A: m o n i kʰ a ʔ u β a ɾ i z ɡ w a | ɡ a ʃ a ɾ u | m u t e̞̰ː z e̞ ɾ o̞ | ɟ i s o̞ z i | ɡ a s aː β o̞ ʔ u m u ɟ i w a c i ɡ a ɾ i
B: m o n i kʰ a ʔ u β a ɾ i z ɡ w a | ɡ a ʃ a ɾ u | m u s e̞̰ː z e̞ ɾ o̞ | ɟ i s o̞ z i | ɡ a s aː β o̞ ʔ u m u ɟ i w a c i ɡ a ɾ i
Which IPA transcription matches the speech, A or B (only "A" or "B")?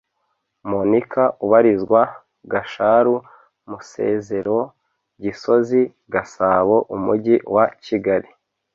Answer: B